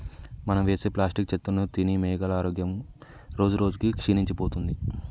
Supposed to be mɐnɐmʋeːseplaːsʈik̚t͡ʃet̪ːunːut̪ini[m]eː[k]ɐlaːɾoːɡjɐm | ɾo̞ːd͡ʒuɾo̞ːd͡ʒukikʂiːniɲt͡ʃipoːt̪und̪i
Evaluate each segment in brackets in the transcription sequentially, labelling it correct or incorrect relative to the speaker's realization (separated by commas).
correct, incorrect